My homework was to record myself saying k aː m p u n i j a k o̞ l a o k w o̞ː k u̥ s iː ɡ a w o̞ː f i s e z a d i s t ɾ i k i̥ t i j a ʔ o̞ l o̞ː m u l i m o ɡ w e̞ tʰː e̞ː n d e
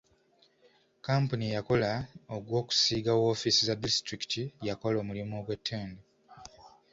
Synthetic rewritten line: k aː m p u n i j a k o̞ l a o ɡ w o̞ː k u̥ s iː ɡ a w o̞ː f i s i z a d i s t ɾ i k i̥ t i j a k o̞ l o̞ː m u l i m o ɡ w e̞ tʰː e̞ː n d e